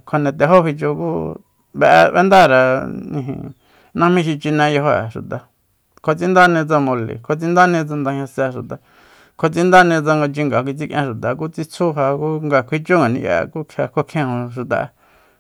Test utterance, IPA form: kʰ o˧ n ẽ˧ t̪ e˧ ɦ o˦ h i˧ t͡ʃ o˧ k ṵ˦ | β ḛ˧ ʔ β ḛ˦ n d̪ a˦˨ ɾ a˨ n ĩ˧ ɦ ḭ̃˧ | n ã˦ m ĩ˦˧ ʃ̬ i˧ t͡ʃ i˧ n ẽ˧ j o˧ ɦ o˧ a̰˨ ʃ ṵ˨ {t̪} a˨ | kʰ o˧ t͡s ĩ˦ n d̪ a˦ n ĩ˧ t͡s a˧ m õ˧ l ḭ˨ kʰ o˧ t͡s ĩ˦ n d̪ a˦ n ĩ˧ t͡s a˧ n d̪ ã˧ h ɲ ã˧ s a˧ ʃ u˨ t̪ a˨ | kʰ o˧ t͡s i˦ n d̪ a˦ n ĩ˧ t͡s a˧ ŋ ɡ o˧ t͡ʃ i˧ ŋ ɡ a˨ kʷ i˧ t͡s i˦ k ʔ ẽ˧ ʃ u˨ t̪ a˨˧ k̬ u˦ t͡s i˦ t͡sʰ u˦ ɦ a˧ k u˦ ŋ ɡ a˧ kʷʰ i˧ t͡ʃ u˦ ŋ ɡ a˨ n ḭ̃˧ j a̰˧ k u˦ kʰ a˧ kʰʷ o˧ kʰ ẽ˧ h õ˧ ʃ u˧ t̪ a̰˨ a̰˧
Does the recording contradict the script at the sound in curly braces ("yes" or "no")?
no